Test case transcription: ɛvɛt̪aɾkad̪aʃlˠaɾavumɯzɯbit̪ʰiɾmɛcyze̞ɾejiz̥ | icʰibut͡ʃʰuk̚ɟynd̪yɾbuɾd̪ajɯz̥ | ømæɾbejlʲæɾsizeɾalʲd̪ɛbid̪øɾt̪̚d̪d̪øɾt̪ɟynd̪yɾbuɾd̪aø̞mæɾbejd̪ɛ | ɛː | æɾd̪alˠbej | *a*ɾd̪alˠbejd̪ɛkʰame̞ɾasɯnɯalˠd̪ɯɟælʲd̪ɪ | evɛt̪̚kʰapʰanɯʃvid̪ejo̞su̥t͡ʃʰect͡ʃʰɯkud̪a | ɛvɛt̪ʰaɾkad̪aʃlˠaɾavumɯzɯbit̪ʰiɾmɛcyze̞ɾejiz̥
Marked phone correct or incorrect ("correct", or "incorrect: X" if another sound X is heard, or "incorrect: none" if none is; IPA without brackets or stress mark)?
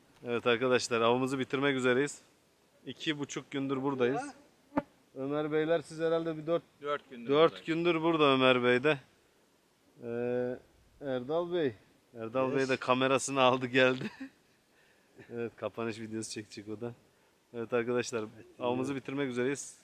incorrect: æ